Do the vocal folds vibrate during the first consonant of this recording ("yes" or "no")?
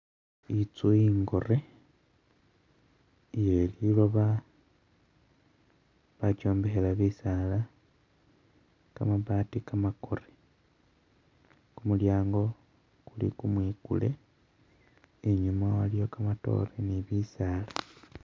no